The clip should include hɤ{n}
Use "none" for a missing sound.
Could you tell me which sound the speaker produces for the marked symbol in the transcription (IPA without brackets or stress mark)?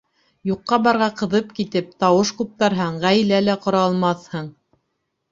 ɴ